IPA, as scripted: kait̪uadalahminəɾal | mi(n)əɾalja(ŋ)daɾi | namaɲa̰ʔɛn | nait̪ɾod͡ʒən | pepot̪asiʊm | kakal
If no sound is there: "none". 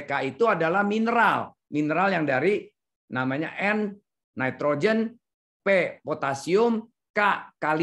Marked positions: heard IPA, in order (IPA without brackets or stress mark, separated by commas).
n, ŋ